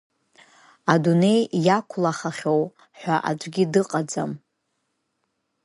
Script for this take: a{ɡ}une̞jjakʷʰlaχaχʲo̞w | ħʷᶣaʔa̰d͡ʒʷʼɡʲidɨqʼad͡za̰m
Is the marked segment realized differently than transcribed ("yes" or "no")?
yes